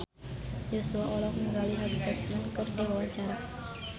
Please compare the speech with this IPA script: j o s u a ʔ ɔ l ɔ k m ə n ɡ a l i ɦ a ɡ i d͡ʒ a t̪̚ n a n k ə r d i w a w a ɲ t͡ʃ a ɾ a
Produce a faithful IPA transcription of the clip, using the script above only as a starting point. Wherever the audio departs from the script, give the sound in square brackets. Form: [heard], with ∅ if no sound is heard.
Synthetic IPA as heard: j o s u a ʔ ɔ l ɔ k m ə [ŋ] ɡ a l i ɦ a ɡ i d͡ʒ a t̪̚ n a n k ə r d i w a w a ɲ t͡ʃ a ɾ a